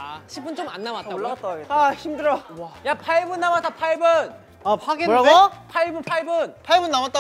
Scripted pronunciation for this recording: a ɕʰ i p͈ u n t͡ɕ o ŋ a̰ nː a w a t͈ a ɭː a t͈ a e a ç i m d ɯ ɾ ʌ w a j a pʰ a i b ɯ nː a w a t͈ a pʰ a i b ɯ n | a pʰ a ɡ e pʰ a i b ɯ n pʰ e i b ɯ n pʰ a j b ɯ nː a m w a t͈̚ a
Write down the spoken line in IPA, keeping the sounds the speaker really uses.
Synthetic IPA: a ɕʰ i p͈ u n t͡ɕ o m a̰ nː a w a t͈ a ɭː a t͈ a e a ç i m d ɯ ɾ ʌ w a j a pʰ a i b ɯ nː a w a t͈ a pʰ a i b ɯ n | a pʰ a ɡ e pʰ a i b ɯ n pʰ a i b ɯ n pʰ a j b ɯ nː a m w a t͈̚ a